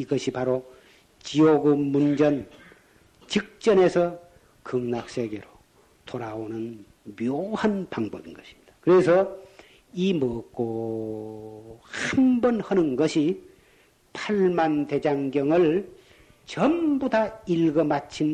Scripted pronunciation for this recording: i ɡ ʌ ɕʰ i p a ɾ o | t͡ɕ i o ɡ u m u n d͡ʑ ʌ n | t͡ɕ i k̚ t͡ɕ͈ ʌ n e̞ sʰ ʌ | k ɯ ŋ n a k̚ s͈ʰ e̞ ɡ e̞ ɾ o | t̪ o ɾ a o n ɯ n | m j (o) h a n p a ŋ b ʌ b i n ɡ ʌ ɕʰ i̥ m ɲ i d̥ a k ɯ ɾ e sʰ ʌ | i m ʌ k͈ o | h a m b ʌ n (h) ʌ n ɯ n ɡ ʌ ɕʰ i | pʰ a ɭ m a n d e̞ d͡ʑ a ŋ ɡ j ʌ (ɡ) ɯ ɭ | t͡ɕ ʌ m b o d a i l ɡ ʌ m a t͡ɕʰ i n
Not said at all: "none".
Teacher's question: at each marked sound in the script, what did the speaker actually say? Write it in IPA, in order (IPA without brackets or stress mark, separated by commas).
o, h, ŋ